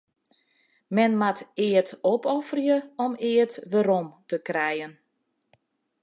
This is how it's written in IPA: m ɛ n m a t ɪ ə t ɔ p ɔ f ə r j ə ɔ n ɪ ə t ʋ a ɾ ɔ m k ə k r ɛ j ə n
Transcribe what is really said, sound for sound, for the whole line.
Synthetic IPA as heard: m ɛ n m a t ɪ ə t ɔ p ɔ f ə r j ə ɔ m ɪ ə t ʋ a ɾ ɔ m t ə k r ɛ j ə n